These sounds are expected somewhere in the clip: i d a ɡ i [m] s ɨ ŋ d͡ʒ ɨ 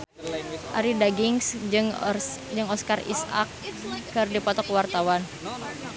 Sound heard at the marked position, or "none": ŋ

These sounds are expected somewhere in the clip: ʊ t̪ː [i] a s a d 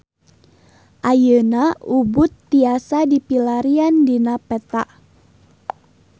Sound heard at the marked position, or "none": i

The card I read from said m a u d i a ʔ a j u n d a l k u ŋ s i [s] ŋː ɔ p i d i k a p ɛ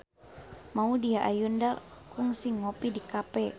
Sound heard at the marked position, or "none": none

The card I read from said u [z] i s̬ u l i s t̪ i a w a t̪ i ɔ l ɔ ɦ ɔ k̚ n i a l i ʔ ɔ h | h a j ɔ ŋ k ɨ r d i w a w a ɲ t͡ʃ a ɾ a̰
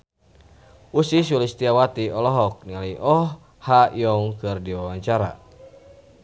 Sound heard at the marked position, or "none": s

